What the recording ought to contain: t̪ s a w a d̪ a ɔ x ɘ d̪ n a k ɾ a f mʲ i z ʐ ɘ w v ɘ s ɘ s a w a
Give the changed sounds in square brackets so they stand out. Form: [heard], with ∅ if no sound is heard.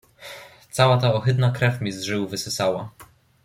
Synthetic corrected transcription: t̪ s a w a [t̪] a ɔ x ɘ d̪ n a k ɾ [ɛ] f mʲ i z ʐ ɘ w v ɘ s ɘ s a w a